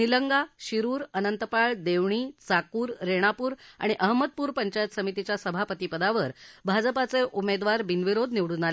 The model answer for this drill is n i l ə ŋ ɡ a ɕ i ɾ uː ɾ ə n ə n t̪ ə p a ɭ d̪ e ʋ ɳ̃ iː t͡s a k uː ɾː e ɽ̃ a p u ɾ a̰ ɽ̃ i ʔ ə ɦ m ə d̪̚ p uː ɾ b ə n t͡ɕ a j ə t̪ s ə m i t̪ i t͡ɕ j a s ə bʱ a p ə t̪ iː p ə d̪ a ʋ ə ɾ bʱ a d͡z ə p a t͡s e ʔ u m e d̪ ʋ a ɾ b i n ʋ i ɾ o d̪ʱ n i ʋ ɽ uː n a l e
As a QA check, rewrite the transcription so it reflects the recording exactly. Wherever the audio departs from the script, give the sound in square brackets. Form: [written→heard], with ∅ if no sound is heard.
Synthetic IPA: n i l ə ŋ ɡ a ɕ i ɾ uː ɾ ə n ə n t̪ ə p a ɭ d̪ e ʋ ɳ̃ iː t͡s a k uː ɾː e ɽ̃ a p [u→uː] ɾ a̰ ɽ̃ i ʔ ə ɦ m ə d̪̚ p uː ɾ [b→p] ə [n→ɲ] t͡ɕ a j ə t̪ s ə m i t̪ i t͡ɕ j a s ə bʱ a p ə t̪ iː p ə d̪ a ʋ ə ɾ bʱ a d͡z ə p a t͡s e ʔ u m e d̪ ʋ a ɾ b i n ʋ i ɾ o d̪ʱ n i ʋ ɽ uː n a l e